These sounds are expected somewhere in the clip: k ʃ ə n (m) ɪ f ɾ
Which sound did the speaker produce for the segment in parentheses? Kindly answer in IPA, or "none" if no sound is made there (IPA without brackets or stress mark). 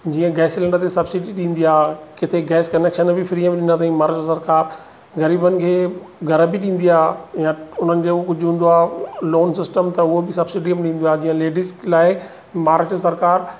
b